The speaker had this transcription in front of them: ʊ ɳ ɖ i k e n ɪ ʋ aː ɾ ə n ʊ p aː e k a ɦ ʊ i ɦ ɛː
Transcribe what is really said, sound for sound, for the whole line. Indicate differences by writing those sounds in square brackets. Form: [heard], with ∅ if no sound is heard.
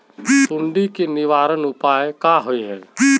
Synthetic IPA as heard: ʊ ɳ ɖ i k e n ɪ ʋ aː ɾ ə n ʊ p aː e k a ɦ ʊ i ɦ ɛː